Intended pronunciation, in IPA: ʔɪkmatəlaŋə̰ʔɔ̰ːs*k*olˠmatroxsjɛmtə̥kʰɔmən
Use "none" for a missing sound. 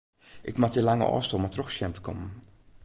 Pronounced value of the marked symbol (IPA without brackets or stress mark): t